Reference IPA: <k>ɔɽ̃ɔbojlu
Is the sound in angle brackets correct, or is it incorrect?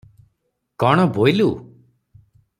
correct